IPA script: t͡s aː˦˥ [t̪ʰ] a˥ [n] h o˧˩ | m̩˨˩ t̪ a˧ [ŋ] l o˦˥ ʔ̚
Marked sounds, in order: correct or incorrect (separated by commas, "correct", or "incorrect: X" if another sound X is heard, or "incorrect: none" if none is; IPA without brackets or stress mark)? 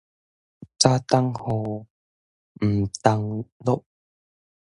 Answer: incorrect: t̪, incorrect: ŋ, correct